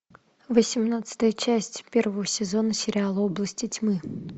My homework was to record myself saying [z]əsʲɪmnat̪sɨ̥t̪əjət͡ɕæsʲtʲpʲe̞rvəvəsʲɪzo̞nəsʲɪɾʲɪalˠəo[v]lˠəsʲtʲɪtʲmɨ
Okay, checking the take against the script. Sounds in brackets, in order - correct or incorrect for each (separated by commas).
incorrect, incorrect